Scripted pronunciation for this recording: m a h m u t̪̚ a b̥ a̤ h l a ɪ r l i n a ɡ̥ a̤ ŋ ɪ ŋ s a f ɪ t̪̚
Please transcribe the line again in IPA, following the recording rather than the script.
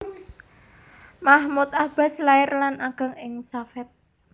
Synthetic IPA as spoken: m a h m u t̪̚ a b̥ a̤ s l a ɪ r l a n a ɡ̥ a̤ ŋ ɪ ŋ s a f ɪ t̪̚